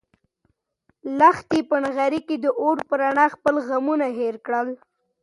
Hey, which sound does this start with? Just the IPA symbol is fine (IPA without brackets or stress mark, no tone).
l